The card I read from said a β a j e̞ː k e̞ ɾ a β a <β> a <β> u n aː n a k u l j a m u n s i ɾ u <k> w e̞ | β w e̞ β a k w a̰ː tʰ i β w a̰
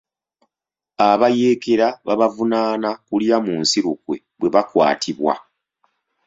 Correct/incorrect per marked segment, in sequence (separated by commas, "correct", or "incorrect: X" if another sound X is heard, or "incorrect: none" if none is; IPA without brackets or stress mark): correct, incorrect: v, correct